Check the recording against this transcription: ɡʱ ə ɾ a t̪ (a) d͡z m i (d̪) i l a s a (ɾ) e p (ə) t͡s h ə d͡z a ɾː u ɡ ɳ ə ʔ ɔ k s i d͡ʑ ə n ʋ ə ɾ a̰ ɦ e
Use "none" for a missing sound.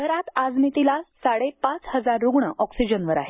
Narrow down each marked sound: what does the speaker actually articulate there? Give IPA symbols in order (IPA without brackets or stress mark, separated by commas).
a, t̪, ɽ, a